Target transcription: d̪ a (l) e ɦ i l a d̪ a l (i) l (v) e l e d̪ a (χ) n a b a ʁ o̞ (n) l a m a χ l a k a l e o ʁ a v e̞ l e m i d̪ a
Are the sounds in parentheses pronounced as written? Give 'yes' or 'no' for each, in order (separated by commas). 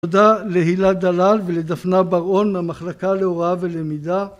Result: yes, no, yes, no, yes